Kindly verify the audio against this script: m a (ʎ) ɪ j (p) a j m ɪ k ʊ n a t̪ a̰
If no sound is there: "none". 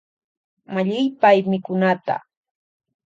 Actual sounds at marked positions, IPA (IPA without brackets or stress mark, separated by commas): ʎ, p